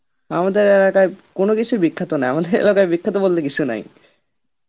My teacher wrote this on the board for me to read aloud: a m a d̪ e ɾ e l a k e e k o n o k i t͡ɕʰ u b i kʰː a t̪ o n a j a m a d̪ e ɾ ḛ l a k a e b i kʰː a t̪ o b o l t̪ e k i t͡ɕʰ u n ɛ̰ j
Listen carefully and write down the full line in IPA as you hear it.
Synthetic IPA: a m a d̪ e ɾ e l a k a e k o n o k i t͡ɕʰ u b i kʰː a t̪ o n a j a m a d̪ e ɾ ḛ l a k a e b i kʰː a t̪ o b o l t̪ e k i t͡ɕʰ u n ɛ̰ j